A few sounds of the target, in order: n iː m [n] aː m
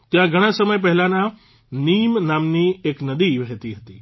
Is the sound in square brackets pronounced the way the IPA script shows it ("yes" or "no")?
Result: yes